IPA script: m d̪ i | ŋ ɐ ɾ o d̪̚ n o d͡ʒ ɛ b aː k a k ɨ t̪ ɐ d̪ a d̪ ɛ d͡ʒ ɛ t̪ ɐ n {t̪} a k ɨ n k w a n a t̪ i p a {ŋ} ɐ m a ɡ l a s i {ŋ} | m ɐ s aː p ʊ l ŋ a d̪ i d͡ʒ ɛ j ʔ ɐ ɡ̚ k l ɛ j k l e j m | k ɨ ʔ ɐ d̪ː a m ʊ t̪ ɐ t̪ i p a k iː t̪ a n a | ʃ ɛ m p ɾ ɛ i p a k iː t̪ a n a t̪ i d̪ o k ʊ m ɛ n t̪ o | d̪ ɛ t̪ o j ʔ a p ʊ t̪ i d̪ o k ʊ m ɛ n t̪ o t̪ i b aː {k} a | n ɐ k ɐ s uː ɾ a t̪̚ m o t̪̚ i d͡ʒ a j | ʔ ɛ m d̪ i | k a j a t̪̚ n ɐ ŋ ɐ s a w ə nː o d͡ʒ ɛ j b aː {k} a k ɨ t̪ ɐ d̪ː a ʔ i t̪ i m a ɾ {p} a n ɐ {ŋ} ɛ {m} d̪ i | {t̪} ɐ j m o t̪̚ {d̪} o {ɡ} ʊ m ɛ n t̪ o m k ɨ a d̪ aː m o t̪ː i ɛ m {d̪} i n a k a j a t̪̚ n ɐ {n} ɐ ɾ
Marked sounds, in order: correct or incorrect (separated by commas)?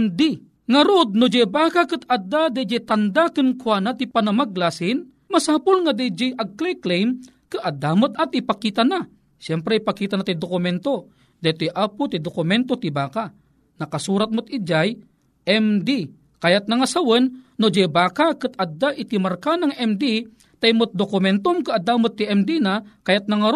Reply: incorrect, incorrect, incorrect, correct, correct, incorrect, correct, correct, correct, correct, incorrect, correct, incorrect